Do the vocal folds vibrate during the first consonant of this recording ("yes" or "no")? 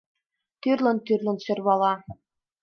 no